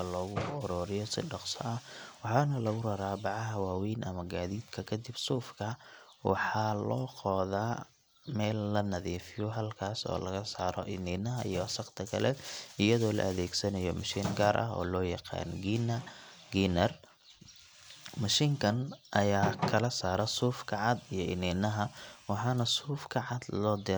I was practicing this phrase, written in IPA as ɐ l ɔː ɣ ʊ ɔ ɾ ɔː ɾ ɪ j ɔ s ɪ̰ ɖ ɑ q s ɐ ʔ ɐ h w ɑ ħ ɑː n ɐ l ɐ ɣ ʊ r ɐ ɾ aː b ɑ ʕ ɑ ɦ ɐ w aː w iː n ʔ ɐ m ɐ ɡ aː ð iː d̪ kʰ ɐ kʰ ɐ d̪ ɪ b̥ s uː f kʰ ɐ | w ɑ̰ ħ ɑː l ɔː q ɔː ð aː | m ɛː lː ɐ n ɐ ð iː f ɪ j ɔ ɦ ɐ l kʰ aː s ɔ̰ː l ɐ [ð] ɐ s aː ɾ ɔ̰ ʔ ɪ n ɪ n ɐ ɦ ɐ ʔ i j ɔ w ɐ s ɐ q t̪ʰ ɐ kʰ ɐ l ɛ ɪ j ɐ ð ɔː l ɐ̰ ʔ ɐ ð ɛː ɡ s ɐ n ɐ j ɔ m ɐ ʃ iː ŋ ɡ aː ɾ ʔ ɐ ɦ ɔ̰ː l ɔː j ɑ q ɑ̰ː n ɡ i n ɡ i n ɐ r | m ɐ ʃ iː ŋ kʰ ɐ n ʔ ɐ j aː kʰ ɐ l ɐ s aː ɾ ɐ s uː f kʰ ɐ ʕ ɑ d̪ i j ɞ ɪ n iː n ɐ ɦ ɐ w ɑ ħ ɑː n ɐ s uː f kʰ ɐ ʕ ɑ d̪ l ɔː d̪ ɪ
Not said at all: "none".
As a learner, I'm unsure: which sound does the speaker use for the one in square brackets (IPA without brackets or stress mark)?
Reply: ɣ